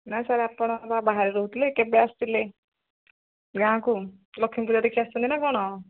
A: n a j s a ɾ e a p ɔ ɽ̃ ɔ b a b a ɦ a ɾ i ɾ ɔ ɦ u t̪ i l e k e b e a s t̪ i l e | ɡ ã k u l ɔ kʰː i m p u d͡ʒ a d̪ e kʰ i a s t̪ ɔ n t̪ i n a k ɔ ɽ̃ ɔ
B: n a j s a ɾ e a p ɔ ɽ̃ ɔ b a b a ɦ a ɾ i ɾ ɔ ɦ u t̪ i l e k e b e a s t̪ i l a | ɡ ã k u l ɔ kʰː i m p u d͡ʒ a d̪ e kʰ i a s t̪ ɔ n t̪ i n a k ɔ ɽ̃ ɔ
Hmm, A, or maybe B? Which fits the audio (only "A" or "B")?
A